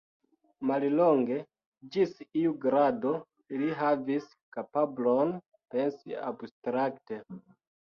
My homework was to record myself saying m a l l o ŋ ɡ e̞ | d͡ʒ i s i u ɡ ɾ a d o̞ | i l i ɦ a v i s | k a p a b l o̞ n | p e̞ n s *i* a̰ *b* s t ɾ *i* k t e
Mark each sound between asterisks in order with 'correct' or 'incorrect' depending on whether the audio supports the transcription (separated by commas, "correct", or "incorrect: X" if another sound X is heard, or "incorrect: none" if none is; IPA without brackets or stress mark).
correct, correct, incorrect: a